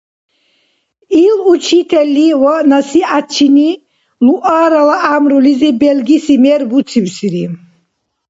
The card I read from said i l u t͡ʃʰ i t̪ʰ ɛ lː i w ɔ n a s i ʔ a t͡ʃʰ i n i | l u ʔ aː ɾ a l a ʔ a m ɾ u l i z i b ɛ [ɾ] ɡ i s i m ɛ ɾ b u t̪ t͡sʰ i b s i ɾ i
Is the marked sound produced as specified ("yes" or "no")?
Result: no